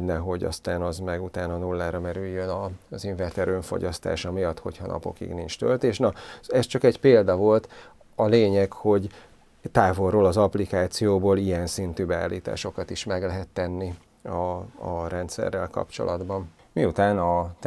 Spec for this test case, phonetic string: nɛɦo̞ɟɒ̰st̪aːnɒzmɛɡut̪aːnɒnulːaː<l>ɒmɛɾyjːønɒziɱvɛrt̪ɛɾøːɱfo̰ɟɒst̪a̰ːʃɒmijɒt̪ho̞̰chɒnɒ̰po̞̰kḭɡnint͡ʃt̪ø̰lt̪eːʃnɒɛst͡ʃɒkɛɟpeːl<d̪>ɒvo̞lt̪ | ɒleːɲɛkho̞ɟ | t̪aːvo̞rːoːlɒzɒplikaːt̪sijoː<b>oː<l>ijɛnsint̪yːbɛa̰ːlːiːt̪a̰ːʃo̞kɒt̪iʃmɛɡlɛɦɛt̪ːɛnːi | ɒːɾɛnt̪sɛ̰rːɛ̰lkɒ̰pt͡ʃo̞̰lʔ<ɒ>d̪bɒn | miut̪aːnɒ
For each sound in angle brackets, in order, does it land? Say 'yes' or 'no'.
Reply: no, yes, yes, yes, yes

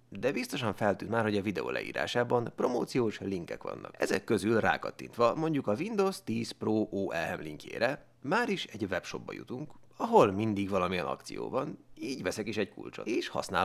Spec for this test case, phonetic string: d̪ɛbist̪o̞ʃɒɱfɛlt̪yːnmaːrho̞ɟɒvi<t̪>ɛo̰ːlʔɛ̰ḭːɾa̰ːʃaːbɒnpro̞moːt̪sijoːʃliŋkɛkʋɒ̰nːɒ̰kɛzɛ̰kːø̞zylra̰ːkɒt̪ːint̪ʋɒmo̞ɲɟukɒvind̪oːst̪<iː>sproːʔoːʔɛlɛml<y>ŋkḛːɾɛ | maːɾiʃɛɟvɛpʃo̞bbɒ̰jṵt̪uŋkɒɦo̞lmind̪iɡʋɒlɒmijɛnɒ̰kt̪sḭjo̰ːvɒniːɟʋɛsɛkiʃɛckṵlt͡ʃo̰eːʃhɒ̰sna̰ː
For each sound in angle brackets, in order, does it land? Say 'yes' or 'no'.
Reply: no, yes, no

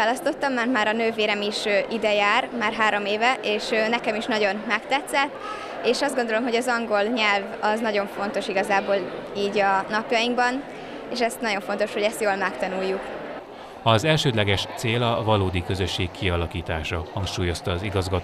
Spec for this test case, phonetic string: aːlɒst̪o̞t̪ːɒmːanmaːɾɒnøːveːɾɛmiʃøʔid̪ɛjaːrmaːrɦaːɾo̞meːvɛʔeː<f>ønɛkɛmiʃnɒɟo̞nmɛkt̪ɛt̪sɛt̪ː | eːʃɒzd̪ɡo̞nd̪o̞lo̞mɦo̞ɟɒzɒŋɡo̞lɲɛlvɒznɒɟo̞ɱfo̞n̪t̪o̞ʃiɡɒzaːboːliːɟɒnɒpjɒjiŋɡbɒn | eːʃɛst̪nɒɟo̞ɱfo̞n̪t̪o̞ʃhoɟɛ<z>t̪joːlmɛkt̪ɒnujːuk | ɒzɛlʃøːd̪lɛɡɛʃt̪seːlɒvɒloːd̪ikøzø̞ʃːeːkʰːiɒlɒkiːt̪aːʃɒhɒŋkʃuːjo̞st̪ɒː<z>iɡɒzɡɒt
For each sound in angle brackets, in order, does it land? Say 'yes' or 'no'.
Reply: no, no, yes

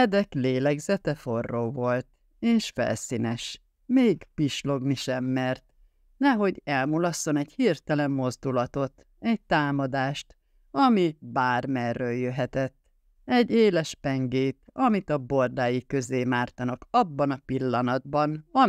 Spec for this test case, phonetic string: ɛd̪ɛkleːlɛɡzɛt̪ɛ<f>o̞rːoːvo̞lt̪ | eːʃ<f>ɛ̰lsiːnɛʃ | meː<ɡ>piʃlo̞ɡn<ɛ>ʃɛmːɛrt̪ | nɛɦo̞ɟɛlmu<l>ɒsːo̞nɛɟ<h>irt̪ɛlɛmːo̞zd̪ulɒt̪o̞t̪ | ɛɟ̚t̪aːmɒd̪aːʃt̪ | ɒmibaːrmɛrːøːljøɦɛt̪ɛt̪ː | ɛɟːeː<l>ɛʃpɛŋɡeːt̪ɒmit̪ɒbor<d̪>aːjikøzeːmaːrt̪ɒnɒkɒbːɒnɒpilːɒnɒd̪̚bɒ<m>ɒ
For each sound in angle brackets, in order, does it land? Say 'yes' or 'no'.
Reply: yes, yes, yes, no, yes, yes, yes, yes, no

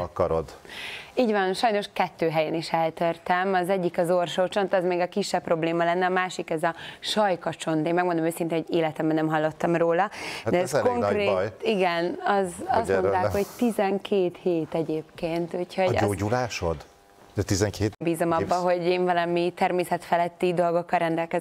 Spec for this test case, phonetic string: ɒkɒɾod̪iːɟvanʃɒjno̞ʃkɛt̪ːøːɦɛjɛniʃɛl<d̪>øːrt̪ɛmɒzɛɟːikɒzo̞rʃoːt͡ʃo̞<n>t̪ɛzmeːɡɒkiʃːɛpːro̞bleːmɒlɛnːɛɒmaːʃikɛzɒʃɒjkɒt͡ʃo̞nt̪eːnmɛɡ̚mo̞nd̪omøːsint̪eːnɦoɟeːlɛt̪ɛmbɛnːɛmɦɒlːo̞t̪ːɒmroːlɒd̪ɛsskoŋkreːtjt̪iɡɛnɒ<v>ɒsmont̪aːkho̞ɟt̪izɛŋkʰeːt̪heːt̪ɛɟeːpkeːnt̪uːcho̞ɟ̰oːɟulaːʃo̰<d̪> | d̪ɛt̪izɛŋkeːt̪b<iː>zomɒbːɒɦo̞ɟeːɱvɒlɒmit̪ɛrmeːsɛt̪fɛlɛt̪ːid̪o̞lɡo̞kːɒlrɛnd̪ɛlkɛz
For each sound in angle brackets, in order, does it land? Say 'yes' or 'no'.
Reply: no, yes, no, yes, yes

